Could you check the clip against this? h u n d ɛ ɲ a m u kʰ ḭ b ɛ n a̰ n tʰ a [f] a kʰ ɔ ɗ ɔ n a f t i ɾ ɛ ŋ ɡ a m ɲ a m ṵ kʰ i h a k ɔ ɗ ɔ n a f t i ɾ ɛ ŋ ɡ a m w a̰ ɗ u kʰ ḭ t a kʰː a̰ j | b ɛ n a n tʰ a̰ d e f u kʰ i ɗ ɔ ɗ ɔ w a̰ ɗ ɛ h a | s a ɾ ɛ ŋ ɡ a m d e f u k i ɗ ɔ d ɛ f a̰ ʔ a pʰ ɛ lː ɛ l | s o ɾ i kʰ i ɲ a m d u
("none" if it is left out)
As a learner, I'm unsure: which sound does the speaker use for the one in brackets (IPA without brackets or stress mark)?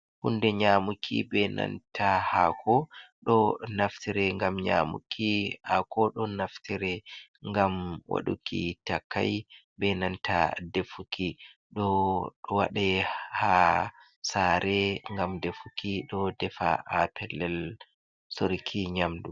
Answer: h